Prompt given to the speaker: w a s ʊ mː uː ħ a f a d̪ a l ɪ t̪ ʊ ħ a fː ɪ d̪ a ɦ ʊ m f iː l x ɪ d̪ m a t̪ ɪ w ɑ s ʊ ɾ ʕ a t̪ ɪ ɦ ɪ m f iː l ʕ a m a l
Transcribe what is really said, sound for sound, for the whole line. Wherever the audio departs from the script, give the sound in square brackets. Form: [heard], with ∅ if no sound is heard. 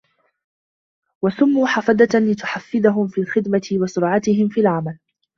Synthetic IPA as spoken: w a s ʊ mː uː ħ a f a d̪ a l ɪ t̪ ʊ ħ a fː ɪ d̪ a ɦ ʊ m f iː l x ɪ d̪ m a t̪ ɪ w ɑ s ʊ ɾ ʕ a t̪ ɪ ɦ ɪ m f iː l ʕ a m a l